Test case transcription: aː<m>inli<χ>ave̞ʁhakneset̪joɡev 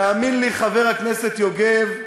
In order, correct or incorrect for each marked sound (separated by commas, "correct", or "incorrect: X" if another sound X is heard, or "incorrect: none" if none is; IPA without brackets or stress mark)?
correct, correct